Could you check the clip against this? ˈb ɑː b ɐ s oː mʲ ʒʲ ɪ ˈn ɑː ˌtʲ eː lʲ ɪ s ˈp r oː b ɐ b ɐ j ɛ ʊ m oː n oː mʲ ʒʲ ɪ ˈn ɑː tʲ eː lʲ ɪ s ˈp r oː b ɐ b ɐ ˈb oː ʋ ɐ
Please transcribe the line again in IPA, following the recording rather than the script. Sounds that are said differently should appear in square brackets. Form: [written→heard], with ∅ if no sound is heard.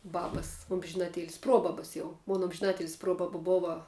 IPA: ˈb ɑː b ɐ s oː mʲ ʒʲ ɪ ˈn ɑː ˌtʲ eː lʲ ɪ s ˈp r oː b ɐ b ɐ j ɛ ʊ m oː n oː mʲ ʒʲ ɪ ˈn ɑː tʲ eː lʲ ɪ s ˈp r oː b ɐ b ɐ ˈb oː ʋ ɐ